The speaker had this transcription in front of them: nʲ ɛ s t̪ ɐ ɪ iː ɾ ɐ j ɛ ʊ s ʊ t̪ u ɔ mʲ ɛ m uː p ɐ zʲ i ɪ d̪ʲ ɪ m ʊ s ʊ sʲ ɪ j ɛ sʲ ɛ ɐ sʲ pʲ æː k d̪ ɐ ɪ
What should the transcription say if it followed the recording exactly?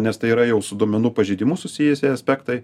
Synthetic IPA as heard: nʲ ɛ s t̪ ɐ ɪ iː ɾ ɐ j ɛ ʊ s ʊ d̪ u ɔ mʲ ɛ n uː p ɐ ʒʲ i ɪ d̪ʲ ɪ m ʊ s ʊ sʲ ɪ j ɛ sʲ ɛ ɐ sʲ pʲ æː k t̪ ɐ ɪ